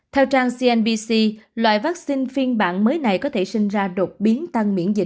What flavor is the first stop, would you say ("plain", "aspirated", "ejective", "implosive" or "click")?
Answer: aspirated